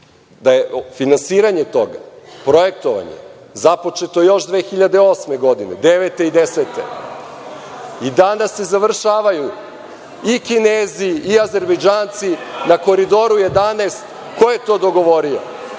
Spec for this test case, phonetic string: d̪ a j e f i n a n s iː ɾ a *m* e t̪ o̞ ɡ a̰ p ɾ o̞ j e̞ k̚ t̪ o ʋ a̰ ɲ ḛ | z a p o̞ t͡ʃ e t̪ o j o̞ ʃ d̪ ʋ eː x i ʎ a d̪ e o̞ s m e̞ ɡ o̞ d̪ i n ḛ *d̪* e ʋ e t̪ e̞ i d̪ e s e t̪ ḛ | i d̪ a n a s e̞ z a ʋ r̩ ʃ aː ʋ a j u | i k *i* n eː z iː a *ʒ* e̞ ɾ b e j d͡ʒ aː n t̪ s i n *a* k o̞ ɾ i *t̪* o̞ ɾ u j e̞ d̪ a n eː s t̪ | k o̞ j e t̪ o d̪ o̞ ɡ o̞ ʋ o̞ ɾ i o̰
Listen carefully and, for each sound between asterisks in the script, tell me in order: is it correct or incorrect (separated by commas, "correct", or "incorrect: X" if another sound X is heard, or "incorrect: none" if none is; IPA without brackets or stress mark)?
incorrect: ɲ, correct, correct, incorrect: z, correct, incorrect: d̪